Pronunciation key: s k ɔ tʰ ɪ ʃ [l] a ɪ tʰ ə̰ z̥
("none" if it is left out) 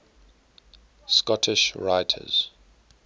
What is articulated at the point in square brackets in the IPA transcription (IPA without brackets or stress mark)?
ɹ